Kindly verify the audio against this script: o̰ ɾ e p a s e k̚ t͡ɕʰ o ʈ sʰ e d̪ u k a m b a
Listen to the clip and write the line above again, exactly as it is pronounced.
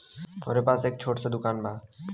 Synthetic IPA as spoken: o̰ ɾ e p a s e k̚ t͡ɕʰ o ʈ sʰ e d̪ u k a n b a